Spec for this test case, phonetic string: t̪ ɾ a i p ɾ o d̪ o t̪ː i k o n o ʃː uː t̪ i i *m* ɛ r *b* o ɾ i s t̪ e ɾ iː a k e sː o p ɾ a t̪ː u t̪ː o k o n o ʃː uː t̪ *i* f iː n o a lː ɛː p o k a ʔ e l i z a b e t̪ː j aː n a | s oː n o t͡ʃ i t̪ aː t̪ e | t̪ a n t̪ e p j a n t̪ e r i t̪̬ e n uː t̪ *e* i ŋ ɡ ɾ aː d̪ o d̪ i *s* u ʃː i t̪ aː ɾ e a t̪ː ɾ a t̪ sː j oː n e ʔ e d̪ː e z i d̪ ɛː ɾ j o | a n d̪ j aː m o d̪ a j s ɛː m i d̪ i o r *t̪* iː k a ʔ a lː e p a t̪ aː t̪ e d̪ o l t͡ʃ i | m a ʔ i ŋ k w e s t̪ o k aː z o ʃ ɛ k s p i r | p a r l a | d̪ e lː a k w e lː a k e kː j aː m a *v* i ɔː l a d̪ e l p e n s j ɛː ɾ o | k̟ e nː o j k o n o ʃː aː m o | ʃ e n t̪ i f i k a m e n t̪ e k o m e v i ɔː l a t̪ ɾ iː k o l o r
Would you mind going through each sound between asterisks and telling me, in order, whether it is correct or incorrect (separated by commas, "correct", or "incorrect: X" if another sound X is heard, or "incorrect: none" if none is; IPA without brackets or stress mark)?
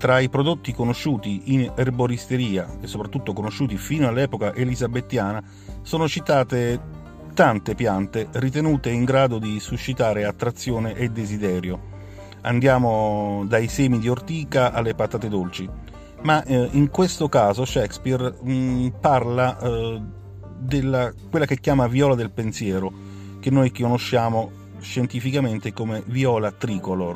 incorrect: n, correct, correct, correct, correct, correct, correct